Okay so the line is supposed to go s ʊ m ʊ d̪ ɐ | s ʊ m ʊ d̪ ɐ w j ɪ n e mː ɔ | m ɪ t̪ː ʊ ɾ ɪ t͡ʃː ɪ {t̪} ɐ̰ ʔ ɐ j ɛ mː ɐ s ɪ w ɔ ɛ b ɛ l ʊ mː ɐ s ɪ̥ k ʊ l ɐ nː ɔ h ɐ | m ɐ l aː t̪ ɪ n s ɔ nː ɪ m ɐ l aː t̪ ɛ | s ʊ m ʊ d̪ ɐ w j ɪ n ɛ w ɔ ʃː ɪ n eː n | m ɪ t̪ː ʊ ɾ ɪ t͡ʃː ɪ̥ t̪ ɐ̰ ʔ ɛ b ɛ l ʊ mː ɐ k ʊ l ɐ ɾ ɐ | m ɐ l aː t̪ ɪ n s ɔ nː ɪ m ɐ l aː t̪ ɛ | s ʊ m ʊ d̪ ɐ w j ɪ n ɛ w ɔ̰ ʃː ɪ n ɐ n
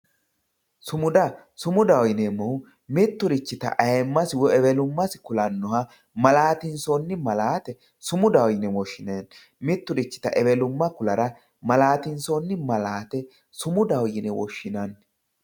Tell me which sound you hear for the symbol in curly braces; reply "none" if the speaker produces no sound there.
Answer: t̪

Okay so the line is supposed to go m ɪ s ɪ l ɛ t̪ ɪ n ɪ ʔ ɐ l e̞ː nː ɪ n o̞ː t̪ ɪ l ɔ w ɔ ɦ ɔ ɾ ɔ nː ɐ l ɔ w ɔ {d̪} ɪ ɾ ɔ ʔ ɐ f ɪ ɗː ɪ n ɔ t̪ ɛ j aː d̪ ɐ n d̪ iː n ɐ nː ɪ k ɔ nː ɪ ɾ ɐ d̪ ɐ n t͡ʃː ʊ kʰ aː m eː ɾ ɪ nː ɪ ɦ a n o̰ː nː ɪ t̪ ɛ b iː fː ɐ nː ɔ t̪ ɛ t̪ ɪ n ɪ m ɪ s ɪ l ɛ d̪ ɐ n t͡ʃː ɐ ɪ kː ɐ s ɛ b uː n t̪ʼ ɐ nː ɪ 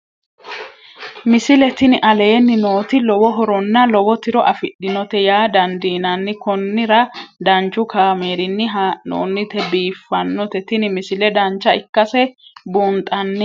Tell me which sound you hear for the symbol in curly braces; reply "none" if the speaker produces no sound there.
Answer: t̪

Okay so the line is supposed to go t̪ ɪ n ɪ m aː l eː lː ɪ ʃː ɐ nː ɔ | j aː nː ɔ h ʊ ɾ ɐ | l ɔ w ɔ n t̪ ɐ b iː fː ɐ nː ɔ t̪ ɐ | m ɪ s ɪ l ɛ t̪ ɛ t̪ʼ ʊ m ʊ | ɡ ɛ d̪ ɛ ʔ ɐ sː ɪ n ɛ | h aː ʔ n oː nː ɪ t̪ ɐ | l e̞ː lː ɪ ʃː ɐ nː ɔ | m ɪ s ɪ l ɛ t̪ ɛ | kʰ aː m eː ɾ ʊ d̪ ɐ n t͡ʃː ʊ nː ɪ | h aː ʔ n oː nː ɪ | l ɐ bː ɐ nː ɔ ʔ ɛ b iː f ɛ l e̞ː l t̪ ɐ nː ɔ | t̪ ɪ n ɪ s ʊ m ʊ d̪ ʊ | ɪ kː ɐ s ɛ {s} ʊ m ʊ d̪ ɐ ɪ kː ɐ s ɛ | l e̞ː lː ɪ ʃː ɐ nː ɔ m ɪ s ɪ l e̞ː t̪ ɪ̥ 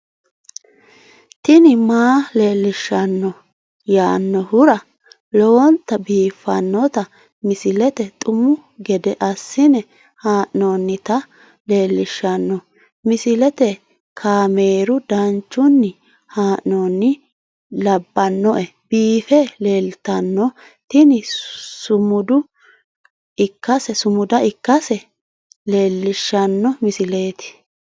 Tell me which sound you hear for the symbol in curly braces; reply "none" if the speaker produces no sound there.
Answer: s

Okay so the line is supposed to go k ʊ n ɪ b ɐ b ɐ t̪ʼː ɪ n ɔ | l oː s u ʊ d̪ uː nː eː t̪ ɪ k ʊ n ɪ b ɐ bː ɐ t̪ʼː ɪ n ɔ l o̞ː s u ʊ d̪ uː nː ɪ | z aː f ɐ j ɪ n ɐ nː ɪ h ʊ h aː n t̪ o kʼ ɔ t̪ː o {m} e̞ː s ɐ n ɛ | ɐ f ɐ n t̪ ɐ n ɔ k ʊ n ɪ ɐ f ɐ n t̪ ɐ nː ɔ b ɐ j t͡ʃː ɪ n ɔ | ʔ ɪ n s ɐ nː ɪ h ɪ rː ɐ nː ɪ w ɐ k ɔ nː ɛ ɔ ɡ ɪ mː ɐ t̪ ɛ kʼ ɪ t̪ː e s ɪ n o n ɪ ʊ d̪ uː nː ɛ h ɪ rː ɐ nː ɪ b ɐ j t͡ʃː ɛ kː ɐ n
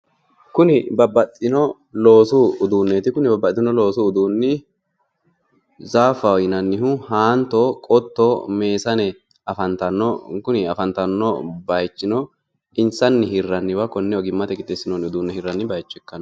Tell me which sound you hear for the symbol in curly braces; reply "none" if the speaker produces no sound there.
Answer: m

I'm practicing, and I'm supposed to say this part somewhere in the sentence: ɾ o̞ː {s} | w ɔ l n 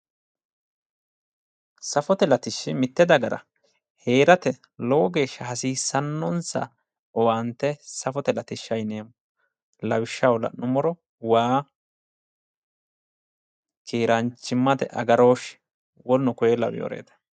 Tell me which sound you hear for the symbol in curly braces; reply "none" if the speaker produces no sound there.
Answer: ʃ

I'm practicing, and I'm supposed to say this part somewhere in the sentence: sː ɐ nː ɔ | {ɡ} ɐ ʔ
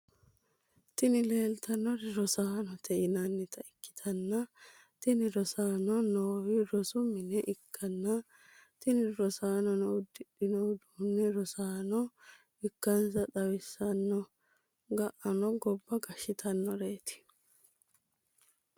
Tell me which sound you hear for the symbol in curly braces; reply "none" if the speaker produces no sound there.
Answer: ɡ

